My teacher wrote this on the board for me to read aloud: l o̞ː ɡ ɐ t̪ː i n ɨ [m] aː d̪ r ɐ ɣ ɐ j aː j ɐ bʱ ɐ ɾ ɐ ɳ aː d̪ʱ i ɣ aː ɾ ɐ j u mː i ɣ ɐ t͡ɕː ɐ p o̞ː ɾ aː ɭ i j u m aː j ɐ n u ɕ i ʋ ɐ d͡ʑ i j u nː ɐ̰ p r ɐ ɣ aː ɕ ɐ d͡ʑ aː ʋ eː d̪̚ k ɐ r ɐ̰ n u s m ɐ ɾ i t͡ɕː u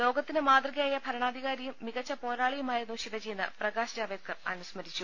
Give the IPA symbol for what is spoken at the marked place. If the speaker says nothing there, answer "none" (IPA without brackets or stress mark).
m